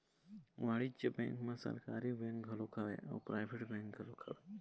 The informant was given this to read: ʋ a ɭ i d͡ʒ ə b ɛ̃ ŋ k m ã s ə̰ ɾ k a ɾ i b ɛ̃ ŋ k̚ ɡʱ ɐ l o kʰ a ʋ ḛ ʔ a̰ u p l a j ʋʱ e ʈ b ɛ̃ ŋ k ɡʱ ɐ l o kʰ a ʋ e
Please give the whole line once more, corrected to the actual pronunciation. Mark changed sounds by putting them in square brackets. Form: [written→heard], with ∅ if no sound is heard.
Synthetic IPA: ʋ a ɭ i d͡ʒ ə b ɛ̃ ŋ k m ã s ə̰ ɾ k a ɾ i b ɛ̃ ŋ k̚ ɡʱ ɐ l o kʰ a ʋ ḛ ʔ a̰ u p [l→ɾ] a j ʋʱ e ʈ b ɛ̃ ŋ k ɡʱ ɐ l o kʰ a ʋ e